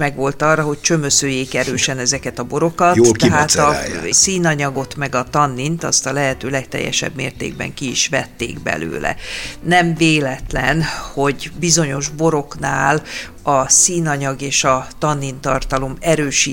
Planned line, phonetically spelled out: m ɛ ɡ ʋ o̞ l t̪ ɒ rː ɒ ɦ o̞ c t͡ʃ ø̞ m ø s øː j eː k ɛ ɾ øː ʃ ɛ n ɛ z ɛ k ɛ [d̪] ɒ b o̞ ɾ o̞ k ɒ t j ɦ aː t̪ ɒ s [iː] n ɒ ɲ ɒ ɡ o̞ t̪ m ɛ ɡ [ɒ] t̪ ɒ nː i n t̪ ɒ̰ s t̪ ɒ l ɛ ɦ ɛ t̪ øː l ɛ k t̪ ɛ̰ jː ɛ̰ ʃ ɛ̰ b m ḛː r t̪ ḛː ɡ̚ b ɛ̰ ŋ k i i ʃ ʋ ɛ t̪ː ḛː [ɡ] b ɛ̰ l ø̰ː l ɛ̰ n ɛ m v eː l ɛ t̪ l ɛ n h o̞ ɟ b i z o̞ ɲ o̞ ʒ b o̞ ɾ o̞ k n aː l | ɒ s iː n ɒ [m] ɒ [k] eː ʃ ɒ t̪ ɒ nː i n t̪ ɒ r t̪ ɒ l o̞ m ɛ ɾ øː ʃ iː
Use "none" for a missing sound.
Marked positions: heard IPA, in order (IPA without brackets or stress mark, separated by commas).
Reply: t̪, iː, ɒ, ɡ, ɲ, ɡ